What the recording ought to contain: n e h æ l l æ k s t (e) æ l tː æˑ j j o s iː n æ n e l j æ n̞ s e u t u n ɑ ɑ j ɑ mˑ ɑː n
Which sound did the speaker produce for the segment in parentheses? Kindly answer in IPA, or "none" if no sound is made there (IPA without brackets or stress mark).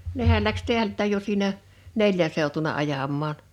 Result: e